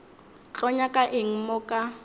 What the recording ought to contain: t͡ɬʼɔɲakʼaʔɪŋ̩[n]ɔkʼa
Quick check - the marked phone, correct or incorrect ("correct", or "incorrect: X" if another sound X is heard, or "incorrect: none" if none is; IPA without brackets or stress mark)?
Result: incorrect: m